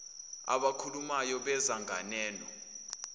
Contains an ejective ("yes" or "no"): no